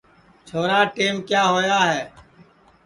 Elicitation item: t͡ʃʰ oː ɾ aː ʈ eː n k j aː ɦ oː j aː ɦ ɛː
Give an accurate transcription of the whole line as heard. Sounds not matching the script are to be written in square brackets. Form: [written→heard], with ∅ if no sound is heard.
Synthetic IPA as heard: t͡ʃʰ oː ɾ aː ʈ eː [n→m] k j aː ɦ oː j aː ɦ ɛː